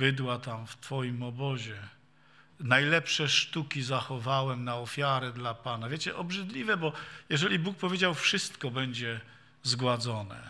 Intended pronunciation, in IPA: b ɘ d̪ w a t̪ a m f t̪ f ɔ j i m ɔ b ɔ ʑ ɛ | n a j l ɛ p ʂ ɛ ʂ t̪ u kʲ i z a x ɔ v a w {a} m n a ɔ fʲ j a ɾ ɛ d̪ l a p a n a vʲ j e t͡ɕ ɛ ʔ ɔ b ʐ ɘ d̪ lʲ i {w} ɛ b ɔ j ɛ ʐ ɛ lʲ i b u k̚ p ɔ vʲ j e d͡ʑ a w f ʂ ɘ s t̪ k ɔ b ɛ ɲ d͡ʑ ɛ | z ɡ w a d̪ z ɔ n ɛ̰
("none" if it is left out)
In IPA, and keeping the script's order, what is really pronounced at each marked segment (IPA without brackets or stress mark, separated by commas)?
ɛ, v